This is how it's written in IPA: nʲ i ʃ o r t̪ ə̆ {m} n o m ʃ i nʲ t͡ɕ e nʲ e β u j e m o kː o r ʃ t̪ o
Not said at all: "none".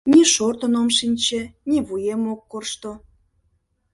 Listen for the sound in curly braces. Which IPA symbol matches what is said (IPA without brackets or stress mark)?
none